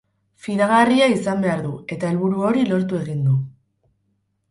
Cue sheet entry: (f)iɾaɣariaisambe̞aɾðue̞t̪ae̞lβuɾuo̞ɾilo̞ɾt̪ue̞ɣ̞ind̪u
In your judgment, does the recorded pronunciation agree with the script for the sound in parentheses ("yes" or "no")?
yes